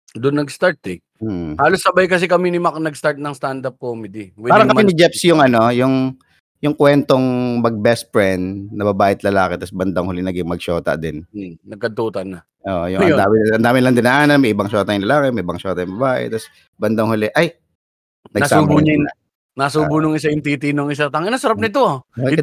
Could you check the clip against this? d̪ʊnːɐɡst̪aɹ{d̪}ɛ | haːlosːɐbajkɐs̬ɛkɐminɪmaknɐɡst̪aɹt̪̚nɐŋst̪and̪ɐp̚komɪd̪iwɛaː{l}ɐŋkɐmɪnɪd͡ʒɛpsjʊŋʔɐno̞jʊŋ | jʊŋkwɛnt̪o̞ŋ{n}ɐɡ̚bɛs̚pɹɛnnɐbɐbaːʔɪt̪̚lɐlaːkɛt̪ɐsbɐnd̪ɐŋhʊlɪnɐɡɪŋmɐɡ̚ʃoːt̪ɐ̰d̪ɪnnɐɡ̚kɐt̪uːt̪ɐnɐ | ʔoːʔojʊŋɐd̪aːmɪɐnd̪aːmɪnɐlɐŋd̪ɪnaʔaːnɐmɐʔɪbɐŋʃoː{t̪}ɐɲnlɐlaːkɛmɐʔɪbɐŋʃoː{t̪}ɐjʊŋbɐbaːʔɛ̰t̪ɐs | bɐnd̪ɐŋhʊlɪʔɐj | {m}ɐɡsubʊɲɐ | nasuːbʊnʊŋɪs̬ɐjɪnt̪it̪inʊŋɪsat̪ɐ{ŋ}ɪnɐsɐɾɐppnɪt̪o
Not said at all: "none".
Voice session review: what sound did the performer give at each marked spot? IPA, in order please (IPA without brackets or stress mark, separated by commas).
t̪, ɾ, m, t̪, t̪, n, ŋ